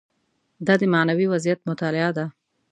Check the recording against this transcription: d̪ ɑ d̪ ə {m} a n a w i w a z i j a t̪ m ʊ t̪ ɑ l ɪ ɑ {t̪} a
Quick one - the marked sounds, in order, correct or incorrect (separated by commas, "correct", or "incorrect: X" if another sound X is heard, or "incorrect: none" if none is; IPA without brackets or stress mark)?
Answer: correct, incorrect: d̪